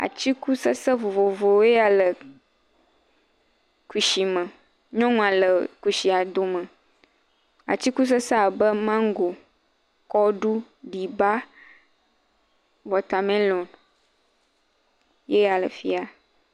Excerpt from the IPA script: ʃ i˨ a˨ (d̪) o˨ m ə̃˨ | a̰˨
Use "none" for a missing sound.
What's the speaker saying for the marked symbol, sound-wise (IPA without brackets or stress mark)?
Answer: d̪